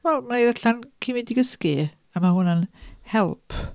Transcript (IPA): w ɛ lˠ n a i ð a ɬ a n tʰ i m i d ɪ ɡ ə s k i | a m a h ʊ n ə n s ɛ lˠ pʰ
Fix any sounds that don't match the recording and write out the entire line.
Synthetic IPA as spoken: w ɛ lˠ m a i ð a ɬ a n kʰ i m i d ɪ ɡ ə s k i | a m a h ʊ n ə n h ɛ lˠ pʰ